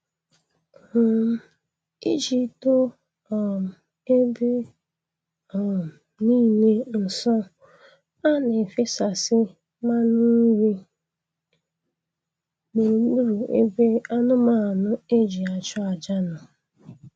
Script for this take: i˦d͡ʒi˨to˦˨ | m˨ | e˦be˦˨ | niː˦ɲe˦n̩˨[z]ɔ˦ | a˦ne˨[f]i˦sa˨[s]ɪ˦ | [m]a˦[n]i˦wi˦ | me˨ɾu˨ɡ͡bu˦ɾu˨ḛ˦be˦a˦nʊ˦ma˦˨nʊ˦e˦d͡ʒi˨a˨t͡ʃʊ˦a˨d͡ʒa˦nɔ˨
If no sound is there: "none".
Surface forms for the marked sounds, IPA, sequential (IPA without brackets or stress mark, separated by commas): s, f, s, m, n